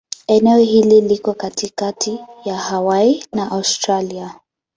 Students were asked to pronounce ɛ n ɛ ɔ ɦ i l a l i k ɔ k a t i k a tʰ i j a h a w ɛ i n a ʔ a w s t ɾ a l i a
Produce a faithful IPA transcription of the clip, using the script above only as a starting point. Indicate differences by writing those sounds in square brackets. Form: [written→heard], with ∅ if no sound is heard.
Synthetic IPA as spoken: ɛ n ɛ ɔ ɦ i l [a→i] l i k ɔ k a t i k a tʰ i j a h a w [ɛ→a] i n a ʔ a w s t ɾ a l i a